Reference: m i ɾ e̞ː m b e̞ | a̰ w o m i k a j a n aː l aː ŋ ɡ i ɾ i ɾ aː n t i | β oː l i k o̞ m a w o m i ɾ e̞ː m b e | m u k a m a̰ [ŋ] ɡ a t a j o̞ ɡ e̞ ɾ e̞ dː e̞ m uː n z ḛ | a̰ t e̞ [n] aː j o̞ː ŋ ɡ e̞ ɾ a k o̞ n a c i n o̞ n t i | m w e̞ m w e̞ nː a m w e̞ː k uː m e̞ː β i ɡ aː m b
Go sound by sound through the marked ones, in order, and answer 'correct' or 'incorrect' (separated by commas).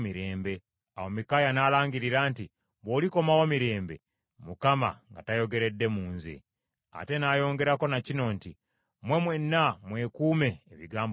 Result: correct, correct